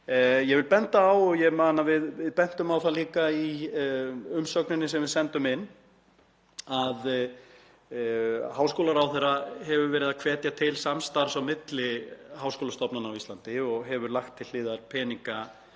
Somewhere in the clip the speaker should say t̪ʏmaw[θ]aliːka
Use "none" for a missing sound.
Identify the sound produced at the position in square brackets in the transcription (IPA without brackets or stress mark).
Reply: θ